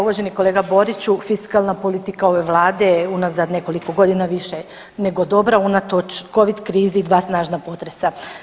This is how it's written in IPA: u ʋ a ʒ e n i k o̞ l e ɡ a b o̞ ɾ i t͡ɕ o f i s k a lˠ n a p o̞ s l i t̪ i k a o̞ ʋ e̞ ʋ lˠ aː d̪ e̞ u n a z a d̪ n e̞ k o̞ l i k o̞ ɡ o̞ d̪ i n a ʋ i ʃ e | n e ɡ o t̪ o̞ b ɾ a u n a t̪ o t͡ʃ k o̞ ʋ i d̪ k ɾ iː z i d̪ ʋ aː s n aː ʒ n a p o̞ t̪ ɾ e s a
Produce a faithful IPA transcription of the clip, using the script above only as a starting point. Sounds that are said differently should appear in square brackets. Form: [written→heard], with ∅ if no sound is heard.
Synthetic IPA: u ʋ a ʒ e n i k o̞ l e ɡ a b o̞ ɾ i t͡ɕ [o→u] f i s k a lˠ n a p o̞ [s→∅] l i t̪ i k a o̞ ʋ e̞ ʋ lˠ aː d̪ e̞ u n a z a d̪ n e̞ k o̞ l i k o̞ ɡ o̞ d̪ i n a ʋ i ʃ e | n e ɡ o [t̪→d̪] o̞ b ɾ a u n a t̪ o t͡ʃ k o̞ ʋ i d̪ k ɾ iː z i d̪ ʋ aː s n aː ʒ n a p o̞ t̪ ɾ e s a